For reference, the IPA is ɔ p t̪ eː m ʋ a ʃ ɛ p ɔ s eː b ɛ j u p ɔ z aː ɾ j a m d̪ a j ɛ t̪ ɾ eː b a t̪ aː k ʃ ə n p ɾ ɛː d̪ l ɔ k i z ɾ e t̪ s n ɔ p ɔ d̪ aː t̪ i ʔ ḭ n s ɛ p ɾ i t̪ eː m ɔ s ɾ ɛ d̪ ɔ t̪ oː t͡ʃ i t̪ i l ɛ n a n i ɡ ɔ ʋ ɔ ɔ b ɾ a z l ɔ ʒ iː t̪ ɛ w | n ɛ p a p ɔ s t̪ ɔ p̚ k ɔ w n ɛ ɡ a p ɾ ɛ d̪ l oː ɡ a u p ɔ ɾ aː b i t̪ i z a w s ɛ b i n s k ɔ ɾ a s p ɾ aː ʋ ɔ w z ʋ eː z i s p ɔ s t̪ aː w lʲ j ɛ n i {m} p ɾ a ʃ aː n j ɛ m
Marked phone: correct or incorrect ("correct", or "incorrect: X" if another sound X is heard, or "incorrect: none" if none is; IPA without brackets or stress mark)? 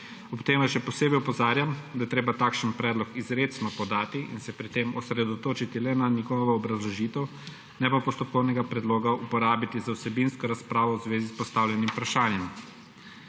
correct